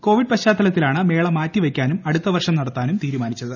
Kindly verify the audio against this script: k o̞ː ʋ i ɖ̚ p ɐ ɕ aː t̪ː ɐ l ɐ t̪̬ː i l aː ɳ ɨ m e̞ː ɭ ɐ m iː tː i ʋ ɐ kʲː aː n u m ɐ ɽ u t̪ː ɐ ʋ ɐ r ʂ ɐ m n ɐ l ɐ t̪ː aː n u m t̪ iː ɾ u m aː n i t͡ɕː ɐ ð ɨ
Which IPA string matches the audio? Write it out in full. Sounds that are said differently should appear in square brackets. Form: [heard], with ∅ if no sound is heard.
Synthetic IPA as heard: k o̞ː ʋ i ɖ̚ p ɐ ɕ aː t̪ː ɐ l ɐ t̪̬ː i l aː ɳ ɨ m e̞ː ɭ ɐ m [aː] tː i ʋ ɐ kʲː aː n u m ɐ ɽ u t̪ː ɐ ʋ ɐ r ʂ ɐ m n ɐ [ɽ] ɐ t̪ː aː n u m t̪ iː ɾ u m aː n i t͡ɕː ɐ ð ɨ